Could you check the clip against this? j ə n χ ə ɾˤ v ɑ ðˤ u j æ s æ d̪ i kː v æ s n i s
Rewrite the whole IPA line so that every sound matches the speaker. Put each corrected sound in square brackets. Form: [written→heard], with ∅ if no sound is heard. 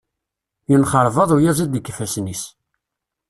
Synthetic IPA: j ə n χ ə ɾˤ v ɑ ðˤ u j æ [s→z] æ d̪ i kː [v→f] æ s n i s